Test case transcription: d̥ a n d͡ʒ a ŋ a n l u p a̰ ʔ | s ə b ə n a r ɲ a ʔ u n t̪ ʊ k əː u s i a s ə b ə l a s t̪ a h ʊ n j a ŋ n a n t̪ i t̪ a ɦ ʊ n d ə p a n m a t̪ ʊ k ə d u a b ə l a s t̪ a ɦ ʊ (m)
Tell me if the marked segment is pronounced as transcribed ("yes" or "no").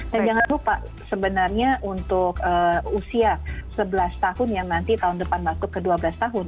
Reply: no